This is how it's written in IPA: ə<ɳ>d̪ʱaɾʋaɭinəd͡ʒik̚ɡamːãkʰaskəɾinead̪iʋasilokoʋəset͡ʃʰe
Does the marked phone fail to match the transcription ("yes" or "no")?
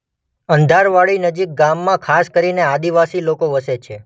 yes